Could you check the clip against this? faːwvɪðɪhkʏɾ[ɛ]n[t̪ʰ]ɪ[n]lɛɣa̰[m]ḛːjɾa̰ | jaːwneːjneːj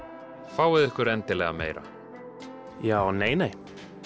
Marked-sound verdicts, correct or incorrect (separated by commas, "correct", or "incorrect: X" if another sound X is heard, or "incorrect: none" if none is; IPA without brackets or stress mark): correct, incorrect: t̪, incorrect: none, correct